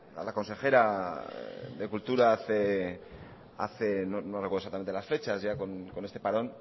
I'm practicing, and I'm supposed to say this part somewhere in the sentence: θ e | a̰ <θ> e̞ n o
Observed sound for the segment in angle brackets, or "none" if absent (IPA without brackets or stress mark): θ